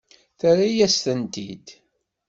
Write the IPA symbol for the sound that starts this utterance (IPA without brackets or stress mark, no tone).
θ